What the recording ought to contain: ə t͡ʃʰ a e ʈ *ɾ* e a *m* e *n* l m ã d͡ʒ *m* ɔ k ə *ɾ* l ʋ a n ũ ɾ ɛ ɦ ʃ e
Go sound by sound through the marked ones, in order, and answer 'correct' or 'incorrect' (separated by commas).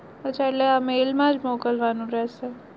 incorrect, correct, incorrect, correct, incorrect